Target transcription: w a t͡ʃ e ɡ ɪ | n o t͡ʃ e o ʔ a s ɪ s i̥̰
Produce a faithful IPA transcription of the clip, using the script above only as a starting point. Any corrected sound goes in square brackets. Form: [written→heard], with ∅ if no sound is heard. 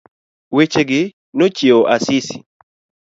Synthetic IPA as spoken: w [a→e] t͡ʃ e ɡ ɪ | n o t͡ʃ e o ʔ a s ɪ s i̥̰